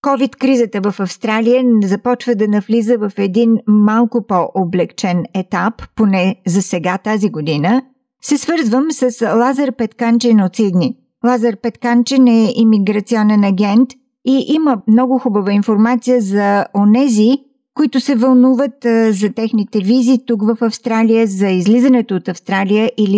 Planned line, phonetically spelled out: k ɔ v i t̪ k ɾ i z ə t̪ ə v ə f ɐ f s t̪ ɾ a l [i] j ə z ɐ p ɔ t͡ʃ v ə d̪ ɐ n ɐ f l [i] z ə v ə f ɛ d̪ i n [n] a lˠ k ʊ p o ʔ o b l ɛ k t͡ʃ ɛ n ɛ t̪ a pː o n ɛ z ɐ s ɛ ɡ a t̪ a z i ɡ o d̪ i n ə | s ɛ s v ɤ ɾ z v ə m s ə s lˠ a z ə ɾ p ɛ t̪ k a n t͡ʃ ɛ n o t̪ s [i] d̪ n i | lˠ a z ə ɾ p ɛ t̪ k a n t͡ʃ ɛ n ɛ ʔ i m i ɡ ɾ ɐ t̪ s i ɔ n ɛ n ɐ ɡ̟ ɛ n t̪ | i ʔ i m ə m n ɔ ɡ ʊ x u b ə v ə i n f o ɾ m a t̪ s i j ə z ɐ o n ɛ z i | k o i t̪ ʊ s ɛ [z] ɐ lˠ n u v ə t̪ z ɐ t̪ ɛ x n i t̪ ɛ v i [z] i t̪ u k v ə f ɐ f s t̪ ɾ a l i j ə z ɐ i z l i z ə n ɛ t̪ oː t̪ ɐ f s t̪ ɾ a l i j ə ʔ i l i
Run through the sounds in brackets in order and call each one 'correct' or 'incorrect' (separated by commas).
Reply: correct, correct, incorrect, correct, incorrect, correct